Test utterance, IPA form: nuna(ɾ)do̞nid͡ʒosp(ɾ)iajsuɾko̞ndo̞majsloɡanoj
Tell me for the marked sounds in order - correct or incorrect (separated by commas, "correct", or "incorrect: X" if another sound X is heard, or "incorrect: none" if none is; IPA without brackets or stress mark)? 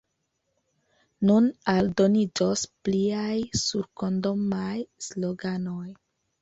incorrect: l, incorrect: l